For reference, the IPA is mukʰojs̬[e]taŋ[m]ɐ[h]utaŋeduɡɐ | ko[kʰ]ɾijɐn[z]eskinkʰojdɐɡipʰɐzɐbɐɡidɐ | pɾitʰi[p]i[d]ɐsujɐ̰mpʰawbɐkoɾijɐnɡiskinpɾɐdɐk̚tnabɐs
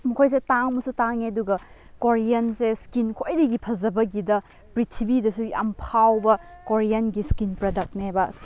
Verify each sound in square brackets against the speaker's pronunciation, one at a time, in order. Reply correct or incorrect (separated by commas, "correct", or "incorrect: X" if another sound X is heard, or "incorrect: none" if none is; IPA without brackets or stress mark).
correct, correct, incorrect: s, incorrect: none, incorrect: s, incorrect: b, correct